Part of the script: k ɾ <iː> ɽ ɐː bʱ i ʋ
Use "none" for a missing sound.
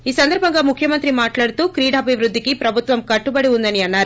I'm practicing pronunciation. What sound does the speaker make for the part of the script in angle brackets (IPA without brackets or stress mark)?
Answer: iː